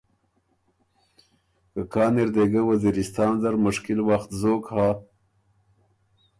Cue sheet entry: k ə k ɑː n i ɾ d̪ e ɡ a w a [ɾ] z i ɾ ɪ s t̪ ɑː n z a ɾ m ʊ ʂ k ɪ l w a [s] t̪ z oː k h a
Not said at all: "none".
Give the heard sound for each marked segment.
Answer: none, x

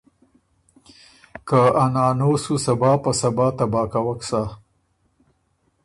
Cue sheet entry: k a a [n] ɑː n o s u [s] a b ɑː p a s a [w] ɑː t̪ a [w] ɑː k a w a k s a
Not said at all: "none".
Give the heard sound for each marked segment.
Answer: n, s, b, b

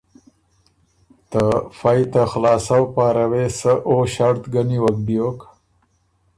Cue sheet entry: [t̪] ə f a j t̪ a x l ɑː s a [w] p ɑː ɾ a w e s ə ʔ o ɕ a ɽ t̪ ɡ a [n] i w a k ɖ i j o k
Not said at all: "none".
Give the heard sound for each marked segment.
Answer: t̪, w, n

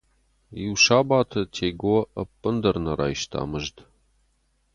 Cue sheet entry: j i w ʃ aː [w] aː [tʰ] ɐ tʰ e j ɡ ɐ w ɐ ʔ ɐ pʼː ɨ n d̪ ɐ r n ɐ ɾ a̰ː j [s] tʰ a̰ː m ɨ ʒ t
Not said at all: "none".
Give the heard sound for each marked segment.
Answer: b, tʰ, ʃ

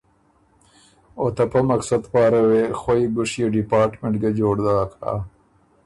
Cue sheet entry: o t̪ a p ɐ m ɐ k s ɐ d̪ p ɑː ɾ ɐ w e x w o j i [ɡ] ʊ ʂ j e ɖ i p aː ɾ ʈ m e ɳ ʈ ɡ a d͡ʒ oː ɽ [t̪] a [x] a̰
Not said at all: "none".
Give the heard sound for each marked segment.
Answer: ɡ, d̪, k

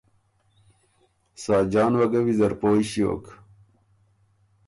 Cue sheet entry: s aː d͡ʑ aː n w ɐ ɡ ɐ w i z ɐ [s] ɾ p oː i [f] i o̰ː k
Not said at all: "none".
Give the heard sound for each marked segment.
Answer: none, ɕ

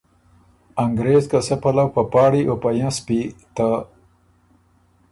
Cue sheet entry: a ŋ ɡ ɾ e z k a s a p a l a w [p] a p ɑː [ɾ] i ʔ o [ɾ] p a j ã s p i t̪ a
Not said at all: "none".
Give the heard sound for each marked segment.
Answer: p, ɽ, none

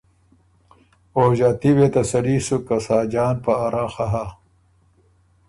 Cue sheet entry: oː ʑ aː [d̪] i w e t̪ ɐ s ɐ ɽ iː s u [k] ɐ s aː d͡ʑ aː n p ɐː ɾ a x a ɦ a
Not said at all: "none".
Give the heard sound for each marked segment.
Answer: t̪, k

